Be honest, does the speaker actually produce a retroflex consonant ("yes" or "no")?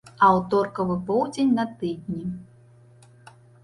no